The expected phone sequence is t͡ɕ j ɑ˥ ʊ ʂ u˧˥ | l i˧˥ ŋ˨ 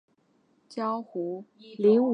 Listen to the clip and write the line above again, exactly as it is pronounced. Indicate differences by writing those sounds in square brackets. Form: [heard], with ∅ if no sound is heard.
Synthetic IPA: t͡ɕ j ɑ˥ ʊ [x] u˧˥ | l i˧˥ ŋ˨